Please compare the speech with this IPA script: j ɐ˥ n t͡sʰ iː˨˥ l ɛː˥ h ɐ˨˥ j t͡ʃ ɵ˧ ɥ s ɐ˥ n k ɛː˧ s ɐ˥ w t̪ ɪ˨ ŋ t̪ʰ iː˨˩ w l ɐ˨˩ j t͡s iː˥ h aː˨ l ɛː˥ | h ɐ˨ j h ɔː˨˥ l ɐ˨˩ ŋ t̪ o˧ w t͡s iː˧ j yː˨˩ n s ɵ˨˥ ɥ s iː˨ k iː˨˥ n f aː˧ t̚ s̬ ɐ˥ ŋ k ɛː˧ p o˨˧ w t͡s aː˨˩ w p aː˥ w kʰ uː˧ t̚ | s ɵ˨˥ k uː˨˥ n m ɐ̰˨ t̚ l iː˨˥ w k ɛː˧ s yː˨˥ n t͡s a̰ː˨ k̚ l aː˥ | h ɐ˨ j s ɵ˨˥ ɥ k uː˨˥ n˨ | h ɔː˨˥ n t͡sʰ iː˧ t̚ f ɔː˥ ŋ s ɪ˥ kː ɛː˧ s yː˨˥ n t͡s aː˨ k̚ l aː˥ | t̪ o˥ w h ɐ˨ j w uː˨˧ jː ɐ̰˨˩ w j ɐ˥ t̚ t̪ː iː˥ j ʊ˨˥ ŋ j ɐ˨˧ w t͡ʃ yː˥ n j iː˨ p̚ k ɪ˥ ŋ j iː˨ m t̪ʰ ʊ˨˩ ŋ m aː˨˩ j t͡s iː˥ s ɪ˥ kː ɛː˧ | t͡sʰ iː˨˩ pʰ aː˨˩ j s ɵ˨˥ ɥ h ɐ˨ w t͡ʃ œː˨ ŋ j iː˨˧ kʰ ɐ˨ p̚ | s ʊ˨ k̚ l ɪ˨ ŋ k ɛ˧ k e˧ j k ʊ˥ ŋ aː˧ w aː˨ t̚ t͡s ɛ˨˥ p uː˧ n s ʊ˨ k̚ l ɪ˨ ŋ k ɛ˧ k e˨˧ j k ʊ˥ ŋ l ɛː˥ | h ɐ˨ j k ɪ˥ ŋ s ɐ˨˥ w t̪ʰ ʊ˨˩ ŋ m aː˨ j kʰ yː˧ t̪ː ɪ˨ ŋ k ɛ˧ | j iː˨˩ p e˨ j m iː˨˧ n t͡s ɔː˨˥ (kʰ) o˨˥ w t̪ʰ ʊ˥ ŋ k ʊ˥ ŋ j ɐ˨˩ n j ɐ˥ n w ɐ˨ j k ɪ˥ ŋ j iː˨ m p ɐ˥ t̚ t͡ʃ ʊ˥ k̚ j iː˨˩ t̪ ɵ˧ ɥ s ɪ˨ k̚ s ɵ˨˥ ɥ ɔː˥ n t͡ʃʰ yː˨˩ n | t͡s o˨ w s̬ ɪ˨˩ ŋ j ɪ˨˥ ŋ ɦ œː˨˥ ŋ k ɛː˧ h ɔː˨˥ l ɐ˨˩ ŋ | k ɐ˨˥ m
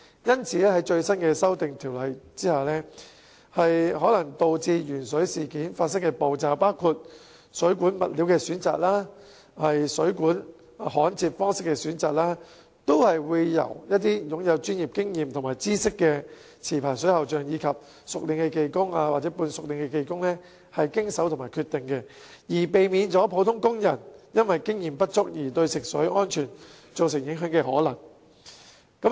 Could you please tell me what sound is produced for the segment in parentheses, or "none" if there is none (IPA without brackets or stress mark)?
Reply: pʰ